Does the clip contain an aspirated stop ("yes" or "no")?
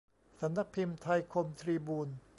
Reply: yes